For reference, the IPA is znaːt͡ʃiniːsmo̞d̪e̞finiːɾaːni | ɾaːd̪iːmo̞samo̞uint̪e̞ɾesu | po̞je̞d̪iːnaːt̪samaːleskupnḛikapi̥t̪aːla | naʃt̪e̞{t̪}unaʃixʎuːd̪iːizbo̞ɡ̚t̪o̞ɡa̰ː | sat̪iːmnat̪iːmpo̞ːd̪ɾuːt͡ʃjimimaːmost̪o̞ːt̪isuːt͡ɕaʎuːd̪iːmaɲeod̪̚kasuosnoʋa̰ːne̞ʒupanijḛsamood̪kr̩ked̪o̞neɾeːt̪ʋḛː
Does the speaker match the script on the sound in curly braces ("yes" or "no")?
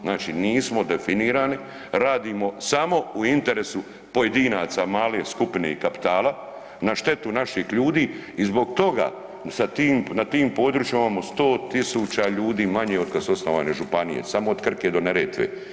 yes